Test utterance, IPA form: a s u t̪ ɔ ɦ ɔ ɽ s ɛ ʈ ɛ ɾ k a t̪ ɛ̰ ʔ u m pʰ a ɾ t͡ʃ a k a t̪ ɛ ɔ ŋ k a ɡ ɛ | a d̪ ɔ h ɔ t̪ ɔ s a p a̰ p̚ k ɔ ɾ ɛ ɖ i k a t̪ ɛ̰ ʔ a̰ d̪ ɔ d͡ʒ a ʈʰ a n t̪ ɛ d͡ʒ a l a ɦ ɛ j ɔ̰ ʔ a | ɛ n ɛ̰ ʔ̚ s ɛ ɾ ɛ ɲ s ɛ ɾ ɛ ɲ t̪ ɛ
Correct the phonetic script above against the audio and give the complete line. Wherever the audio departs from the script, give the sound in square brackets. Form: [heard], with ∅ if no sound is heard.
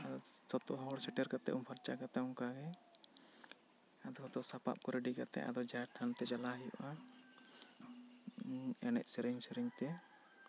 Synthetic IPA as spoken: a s [ɔ] t̪ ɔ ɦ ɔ ɽ s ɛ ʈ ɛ ɾ k a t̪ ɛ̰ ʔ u m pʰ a ɾ t͡ʃ a k a t̪ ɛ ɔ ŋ k a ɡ ɛ | a d̪ ɔ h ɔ t̪ ɔ s a p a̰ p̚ k ɔ ɾ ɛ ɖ i k a t̪ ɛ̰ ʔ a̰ d̪ ɔ d͡ʒ a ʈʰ a n t̪ ɛ d͡ʒ a l a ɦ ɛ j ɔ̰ ʔ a | ɛ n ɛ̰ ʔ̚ s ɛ ɾ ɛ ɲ s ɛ ɾ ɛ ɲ t̪ ɛ

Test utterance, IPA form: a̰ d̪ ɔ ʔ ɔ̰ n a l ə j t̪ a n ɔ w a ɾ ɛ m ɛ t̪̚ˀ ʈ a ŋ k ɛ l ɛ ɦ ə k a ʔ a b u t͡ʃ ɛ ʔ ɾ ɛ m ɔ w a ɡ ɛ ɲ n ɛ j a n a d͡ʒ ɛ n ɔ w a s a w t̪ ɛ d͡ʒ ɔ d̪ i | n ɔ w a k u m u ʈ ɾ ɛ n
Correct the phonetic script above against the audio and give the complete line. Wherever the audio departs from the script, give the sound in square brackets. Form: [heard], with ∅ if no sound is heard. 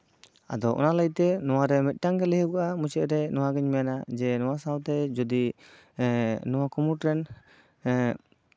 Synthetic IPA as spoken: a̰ d̪ ɔ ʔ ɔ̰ n a l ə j t̪ [ɛ] n ɔ w a ɾ ɛ m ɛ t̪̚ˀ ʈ a ŋ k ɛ l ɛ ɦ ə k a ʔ a [m] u t͡ʃ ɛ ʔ ɾ ɛ [n] ɔ w a ɡ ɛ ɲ [m] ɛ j a n a d͡ʒ ɛ n ɔ w a s a w t̪ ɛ d͡ʒ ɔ d̪ i | n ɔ w a k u m u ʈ ɾ ɛ n

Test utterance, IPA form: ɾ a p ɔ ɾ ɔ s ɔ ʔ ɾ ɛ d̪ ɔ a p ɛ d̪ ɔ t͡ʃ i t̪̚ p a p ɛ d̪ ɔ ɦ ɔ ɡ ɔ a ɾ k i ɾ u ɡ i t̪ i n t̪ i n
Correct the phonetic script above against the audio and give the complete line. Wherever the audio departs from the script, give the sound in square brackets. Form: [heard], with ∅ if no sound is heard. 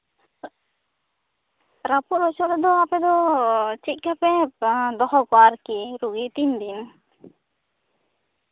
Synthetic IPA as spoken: ɾ a p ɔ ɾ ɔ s ɔ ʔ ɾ ɛ d̪ ɔ a p ɛ d̪ ɔ t͡ʃ i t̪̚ [k] a p ɛ d̪ ɔ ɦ ɔ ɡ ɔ a ɾ k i ɾ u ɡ i t̪ i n [d̪] i n

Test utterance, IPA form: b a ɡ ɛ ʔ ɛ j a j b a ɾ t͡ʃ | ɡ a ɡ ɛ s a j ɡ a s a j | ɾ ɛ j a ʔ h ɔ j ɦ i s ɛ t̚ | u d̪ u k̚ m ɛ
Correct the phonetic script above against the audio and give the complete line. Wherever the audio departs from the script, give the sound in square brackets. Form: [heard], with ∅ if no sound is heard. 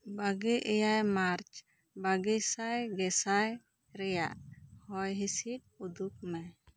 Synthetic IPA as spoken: b a ɡ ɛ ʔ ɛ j a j [m] a ɾ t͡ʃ | [b] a ɡ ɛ s a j ɡ [ɛ] s a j | ɾ ɛ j a ʔ h ɔ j ɦ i s [i] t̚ | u d̪ u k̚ m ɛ

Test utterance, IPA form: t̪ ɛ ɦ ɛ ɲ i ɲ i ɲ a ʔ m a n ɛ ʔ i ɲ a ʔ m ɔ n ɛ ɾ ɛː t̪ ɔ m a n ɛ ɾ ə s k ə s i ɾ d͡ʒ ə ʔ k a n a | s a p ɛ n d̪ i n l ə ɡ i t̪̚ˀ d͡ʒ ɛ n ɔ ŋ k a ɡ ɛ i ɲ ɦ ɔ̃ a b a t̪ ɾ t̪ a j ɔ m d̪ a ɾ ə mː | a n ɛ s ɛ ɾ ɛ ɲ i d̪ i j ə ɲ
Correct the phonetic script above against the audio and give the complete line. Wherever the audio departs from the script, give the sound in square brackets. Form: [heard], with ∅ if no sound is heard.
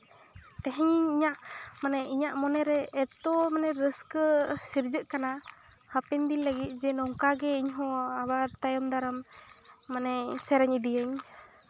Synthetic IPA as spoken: t̪ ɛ ɦ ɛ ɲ i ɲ i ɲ a ʔ m a n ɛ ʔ i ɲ a ʔ m ɔ n ɛ ɾ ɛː t̪ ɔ m a n ɛ ɾ ə s k ə s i ɾ d͡ʒ ə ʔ k a n a | [h] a p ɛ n d̪ i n l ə ɡ i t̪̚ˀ d͡ʒ ɛ n ɔ ŋ k a ɡ ɛ i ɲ ɦ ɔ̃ a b a [∅] ɾ t̪ a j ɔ m d̪ a ɾ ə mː | a n ɛ s ɛ ɾ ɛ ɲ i d̪ i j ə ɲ

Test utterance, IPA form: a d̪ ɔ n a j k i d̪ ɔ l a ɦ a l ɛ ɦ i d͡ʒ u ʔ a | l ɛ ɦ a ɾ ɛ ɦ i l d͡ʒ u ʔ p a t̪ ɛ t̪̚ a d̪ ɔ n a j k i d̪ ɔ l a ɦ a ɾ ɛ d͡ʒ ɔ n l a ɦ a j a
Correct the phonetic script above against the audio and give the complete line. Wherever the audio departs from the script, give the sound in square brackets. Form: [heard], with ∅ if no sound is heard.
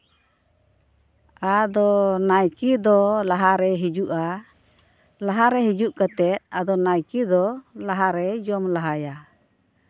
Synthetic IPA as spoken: a d̪ ɔ n a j k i d̪ ɔ l a ɦ a [ɾ] ɛ ɦ i d͡ʒ u ʔ a | l [a] ɦ a ɾ ɛ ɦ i [∅] d͡ʒ u ʔ [k] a t̪ ɛ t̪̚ a d̪ ɔ n a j k i d̪ ɔ l a ɦ a ɾ ɛ d͡ʒ ɔ [m] l a ɦ a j a

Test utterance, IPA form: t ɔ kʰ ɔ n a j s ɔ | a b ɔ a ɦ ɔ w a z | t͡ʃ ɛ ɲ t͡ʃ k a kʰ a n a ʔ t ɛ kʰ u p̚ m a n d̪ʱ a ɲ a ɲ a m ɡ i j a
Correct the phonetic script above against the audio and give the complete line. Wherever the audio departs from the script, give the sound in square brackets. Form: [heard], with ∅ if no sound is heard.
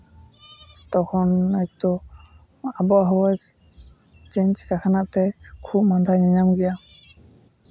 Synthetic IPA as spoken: t ɔ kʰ ɔ n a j [t] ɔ | a b ɔ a ɦ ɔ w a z | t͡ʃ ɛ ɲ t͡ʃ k a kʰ a n a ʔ t ɛ kʰ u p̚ m a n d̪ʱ a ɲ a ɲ a m ɡ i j a

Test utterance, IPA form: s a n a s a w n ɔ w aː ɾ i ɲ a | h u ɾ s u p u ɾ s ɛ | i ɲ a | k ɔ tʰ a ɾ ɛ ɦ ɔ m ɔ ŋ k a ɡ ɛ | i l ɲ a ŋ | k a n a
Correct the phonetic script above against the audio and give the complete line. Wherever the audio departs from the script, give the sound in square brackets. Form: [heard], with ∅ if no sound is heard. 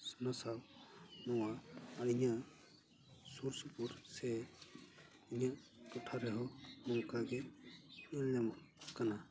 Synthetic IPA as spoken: s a n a s a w n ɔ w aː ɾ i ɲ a | [s] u ɾ s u p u ɾ s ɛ | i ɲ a | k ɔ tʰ a ɾ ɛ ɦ ɔ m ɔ ŋ k a ɡ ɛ | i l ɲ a [m] | k a n a

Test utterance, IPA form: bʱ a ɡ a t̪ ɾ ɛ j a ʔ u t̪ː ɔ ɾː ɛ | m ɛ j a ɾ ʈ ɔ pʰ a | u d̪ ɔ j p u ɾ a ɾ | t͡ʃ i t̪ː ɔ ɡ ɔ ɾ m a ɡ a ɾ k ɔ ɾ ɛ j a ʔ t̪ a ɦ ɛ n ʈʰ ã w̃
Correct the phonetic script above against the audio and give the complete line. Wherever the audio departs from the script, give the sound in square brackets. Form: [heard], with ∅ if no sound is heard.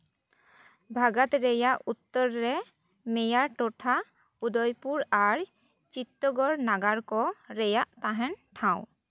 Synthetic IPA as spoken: bʱ a ɡ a t̪ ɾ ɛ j a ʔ u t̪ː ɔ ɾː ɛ | m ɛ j a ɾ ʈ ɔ [ʈʰ] a | u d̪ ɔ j p u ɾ a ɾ | t͡ʃ i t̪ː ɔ ɡ ɔ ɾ [n] a ɡ a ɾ k ɔ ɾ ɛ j a ʔ t̪ a ɦ ɛ n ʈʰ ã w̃

